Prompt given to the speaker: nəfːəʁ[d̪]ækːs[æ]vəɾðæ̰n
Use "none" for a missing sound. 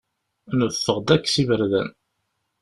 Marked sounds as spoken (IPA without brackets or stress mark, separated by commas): d̪, i